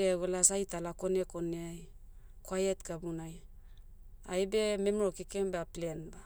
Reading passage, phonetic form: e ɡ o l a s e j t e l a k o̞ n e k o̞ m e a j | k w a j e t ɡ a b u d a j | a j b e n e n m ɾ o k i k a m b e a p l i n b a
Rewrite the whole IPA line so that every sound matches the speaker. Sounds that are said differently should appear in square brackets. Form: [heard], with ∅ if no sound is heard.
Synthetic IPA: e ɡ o l a s [a] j t [a] l a k o̞ n e k o̞ [n] e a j | k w a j e t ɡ a b u [n] a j | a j b e [m] e [∅] m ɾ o k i k [e] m b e a p l [e] n b a